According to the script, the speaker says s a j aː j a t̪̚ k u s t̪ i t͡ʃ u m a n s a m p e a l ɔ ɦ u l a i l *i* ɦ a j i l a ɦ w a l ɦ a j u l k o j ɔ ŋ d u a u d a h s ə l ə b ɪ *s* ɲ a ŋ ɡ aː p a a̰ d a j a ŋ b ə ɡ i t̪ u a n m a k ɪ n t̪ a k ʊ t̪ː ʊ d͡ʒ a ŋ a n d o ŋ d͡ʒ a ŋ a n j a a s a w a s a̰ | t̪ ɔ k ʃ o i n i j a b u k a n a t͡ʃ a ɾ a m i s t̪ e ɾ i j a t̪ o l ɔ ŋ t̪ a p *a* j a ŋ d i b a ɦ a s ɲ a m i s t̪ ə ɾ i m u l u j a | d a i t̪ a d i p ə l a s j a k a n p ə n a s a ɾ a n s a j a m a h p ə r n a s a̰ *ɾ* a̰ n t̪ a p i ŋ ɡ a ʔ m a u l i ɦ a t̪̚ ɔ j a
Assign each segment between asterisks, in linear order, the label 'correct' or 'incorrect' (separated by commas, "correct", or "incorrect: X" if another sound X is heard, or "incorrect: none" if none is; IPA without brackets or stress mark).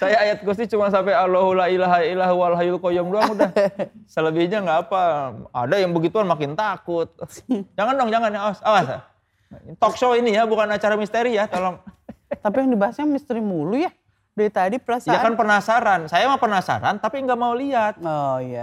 incorrect: a, incorrect: h, incorrect: i, correct